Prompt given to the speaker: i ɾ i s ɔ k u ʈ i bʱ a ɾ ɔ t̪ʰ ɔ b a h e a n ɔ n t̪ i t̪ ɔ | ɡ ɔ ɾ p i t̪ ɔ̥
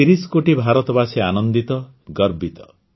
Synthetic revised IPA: i ɾ i s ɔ k o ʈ i bʱ a ɾ ɔ t̪ ɔ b a s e a n ɔ n d̪ i t̪ ɔ | ɡ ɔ ɾ b i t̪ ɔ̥